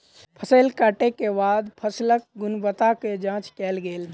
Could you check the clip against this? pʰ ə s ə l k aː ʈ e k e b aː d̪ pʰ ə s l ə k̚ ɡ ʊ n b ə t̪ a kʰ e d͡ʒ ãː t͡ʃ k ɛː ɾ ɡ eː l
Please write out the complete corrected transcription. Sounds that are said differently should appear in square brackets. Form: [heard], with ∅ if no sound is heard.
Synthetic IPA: pʰ ə s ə l k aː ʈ e k e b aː d̪ pʰ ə s l ə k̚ ɡ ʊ n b ə t̪ a [k] e d͡ʒ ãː t͡ʃ k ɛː [l] ɡ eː l